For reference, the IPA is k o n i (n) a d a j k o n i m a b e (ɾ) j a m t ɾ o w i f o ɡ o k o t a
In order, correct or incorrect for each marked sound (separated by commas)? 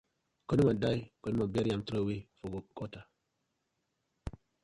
incorrect, correct